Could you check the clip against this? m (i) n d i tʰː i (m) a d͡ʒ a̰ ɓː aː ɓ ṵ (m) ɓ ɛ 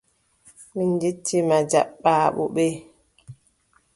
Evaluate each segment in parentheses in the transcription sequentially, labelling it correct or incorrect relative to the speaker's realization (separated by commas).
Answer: correct, correct, incorrect